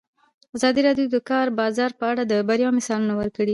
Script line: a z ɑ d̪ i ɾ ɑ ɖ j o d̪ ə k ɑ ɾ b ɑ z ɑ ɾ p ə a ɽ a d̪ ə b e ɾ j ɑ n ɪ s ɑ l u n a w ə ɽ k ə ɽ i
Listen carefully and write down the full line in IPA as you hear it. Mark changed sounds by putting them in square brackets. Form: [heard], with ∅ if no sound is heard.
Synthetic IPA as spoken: a z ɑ d̪ i ɾ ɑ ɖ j o d̪ ə k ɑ ɾ b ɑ z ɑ ɾ p ə a ɽ a d̪ ə b [a] ɾ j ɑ [m] ɪ s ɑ l u n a w ə [ɾ] k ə ɽ i